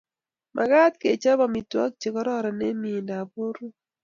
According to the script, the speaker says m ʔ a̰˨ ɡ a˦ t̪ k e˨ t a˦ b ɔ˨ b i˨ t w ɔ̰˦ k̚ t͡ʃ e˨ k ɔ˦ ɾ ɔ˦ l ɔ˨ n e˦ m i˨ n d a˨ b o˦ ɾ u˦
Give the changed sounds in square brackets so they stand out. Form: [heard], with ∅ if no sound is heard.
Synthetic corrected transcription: m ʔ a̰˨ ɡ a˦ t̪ k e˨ [t͡ʃ] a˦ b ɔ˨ [m] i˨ t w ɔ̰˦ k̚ t͡ʃ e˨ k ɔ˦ ɾ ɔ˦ [ɾ] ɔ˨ n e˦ m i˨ n d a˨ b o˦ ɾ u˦